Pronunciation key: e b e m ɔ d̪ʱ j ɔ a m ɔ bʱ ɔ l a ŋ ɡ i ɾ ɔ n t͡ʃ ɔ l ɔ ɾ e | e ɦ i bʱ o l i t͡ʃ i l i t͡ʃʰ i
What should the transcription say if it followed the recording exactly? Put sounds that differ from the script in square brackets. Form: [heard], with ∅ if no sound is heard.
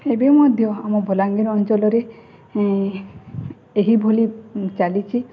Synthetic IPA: e b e m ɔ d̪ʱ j ɔ a m ɔ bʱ ɔ l a ŋ ɡ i ɾ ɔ n t͡ʃ ɔ l ɔ ɾ e | e ɦ i bʱ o l i t͡ʃ [a] l i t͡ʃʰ i